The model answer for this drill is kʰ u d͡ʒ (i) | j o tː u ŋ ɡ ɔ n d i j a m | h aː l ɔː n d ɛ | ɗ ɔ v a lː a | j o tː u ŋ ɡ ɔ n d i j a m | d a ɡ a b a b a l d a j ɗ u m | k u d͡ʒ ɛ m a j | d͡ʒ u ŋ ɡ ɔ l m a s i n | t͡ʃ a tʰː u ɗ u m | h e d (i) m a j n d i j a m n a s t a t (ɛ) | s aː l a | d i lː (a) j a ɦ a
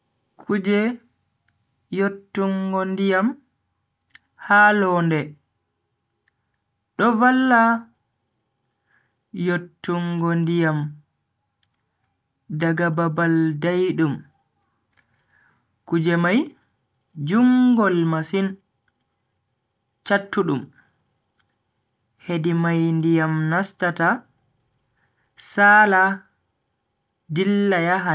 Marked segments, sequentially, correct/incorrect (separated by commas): incorrect, correct, incorrect, correct